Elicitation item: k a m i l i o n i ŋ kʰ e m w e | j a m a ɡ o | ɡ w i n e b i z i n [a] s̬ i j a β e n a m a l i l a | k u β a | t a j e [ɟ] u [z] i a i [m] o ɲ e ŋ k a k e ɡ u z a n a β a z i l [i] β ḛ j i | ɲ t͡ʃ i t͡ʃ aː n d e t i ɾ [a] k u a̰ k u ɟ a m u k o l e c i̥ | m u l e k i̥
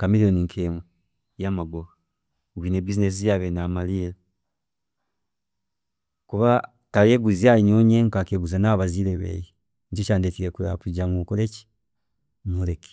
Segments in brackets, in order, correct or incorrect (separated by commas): incorrect, incorrect, correct, incorrect, incorrect, incorrect